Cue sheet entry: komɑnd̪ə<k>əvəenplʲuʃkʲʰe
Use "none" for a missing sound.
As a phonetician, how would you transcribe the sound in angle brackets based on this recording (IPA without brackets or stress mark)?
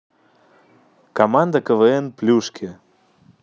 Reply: k